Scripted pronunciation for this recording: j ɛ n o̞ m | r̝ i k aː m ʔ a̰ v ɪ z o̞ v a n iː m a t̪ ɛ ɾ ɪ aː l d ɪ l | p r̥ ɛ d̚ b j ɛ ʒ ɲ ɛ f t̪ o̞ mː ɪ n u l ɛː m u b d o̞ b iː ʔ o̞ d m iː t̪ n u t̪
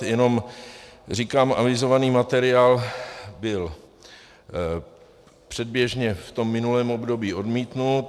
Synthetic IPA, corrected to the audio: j ɛ n o̞ m | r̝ i k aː m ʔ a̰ v ɪ z o̞ v a n iː m a t̪ ɛ ɾ ɪ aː l b ɪ l | p r̥ ɛ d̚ b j ɛ ʒ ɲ ɛ f t̪ o̞ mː ɪ n u l ɛː m o b d o̞ b iː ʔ o̞ d m iː t̪ n u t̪